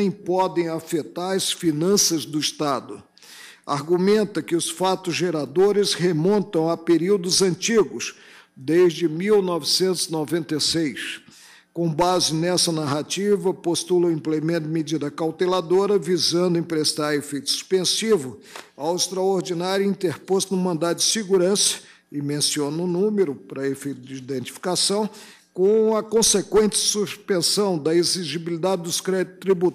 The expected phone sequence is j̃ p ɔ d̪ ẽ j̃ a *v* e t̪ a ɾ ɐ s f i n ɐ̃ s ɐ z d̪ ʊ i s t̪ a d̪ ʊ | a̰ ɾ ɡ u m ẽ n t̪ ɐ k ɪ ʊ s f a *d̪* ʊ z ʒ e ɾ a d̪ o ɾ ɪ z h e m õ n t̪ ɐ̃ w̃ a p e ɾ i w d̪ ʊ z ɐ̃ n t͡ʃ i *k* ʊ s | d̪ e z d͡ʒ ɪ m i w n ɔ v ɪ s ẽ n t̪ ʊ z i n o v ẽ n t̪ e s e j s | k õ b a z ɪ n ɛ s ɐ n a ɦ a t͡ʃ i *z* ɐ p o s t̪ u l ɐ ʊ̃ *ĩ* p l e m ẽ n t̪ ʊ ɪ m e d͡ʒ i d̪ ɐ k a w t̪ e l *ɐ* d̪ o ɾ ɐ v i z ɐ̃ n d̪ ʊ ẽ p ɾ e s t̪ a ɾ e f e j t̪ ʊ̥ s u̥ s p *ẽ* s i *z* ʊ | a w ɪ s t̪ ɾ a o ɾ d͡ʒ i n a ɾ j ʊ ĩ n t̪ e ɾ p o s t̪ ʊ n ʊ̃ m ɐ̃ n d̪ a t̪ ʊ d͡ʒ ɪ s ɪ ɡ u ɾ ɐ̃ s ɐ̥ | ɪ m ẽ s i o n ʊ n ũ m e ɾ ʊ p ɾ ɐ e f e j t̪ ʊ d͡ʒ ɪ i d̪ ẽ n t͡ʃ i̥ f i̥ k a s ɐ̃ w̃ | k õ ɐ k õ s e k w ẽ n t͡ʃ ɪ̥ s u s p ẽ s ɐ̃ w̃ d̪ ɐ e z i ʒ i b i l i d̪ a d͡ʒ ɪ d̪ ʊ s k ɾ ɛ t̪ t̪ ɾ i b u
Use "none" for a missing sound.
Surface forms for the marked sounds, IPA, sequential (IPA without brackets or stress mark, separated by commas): f, t̪, ɡ, v, ĩ, a, ẽ, v